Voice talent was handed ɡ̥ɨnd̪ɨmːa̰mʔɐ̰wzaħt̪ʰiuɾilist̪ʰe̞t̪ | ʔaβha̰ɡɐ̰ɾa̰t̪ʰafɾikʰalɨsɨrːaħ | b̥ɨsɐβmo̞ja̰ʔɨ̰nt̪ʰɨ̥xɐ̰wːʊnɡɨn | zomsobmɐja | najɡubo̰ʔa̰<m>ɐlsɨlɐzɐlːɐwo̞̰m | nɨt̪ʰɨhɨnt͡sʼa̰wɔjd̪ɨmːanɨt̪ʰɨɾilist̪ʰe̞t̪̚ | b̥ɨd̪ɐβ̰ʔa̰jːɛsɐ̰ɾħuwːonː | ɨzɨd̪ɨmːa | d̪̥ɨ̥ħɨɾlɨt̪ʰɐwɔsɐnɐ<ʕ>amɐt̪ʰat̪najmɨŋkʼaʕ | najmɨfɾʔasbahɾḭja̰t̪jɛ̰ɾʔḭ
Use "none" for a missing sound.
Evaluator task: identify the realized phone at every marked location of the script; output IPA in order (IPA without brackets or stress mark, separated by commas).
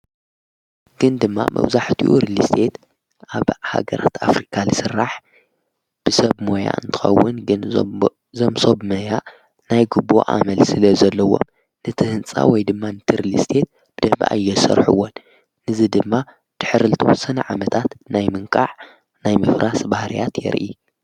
m, ʕ